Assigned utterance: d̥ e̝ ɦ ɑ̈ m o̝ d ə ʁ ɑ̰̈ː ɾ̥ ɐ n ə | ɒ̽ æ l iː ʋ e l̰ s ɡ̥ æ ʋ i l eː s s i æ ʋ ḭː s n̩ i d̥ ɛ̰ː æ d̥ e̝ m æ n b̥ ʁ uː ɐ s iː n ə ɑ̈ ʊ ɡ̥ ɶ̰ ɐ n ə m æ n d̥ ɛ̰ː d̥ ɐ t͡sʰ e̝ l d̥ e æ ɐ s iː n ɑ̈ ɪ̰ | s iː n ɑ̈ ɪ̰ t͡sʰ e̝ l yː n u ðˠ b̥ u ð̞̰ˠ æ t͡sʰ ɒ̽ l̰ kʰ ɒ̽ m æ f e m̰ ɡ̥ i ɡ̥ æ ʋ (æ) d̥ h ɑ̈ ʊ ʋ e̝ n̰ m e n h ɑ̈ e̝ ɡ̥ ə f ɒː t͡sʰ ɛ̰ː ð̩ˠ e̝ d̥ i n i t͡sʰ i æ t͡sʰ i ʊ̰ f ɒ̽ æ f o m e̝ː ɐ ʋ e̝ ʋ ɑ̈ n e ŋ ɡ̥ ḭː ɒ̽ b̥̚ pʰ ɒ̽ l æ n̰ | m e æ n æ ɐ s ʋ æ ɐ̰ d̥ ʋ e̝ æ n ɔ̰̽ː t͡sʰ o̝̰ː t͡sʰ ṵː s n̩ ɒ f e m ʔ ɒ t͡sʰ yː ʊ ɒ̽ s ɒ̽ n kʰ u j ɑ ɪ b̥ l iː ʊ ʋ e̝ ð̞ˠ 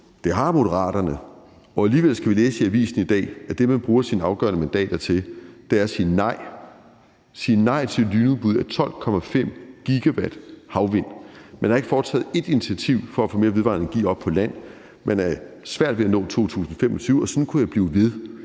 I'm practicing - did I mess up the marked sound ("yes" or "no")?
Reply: no